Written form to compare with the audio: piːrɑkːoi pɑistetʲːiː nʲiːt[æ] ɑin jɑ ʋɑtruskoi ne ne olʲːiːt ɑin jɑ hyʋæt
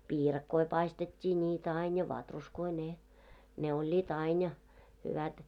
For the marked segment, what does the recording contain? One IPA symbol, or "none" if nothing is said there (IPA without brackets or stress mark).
æ